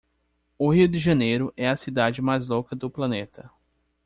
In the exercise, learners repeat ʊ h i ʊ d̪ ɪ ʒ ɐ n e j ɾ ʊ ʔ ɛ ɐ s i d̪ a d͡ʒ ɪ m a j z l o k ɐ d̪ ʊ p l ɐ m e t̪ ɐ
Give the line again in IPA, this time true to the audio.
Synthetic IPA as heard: ʊ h i ʊ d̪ ɪ ʒ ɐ n e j ɾ ʊ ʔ ɛ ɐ s i d̪ a d͡ʒ ɪ m a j z l o k ɐ d̪ ʊ p l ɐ n e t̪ ɐ